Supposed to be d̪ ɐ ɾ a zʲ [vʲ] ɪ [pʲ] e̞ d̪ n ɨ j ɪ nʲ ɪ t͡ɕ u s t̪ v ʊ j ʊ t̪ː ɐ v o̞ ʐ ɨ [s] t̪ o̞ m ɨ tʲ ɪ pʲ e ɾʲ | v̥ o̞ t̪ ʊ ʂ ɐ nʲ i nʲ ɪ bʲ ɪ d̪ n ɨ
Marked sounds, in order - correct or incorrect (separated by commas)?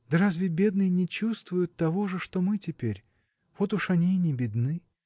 correct, incorrect, incorrect